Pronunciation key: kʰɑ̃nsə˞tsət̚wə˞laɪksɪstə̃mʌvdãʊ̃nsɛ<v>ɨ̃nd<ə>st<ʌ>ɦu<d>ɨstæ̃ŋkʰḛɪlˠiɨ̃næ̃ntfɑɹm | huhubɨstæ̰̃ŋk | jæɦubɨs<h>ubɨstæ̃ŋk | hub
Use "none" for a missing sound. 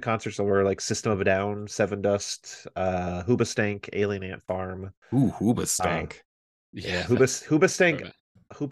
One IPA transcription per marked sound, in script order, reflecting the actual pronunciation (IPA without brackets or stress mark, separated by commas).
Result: v, ʌ, ʌ, b, h